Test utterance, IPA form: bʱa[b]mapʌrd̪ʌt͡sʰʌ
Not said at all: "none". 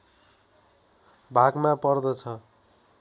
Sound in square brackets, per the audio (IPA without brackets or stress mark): ɡ